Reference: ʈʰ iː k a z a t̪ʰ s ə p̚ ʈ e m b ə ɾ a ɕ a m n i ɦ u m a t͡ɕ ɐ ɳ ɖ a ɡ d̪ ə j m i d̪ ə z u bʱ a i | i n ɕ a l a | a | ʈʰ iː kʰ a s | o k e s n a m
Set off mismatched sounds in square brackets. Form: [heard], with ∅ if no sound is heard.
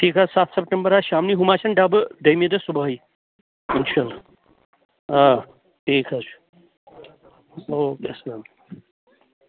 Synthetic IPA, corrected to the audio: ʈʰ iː k a [s] a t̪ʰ s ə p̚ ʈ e m b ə ɾ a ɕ a m n i ɦ u m a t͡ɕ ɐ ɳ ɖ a [b] d̪ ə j m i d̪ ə [s] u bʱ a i | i n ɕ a l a | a | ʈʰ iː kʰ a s | o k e s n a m